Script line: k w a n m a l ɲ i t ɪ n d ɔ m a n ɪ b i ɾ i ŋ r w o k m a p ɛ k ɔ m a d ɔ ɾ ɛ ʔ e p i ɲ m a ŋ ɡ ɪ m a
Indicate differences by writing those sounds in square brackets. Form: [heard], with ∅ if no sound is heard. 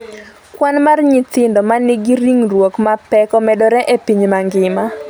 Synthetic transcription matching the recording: k w a n m a [r] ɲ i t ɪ n d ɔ m a n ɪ [ɡ] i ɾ i ŋ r w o k m a p ɛ k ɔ m [ɛ] d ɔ ɾ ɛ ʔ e p i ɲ m a ŋ ɡ ɪ m a